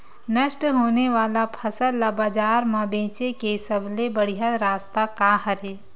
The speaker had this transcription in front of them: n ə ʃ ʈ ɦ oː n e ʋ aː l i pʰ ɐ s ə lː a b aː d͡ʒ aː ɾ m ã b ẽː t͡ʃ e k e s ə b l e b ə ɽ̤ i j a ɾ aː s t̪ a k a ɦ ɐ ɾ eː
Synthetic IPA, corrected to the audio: n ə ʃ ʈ ɦ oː n e ʋ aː l a pʰ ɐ s ə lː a b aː d͡ʒ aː ɾ m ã b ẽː t͡ʃ e k e s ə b l e b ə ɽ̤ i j a ɾ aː s t̪ a k a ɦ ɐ ɾ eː